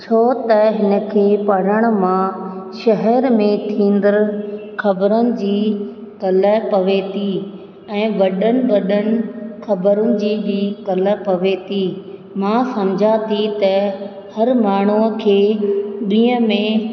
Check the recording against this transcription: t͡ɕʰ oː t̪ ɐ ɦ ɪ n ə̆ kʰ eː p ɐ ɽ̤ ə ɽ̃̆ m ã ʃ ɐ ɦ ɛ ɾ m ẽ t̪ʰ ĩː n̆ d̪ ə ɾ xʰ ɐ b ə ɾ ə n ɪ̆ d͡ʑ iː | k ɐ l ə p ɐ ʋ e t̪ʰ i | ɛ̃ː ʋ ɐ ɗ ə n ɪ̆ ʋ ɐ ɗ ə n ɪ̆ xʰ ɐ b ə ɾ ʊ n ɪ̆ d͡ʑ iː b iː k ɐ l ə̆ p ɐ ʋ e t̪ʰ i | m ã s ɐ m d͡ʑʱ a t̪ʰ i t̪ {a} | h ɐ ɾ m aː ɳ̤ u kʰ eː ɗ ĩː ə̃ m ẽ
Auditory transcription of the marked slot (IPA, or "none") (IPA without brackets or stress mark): ɐ